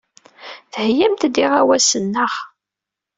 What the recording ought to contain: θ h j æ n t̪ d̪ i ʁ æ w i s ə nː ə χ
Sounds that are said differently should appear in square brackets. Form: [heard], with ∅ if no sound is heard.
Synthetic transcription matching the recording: θ h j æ [m] t̪ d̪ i ʁ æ w [æ] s ə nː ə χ